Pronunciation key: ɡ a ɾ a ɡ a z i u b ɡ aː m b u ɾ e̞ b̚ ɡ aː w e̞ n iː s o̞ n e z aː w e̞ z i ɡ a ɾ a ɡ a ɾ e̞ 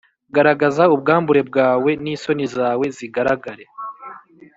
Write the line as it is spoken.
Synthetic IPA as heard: ɡ a ɾ a ɡ a z a u b ɡ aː m b u ɾ e̞ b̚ ɡ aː w e̞ n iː s o̞ n i z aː w e̞ z i ɡ a ɾ a ɡ a ɾ e̞